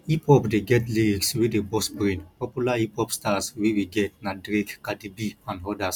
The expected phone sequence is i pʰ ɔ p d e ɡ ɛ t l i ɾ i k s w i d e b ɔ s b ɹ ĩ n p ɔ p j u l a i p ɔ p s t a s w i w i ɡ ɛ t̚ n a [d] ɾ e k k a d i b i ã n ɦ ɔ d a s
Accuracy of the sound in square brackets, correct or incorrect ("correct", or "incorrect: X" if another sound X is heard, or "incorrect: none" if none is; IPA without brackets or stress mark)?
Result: correct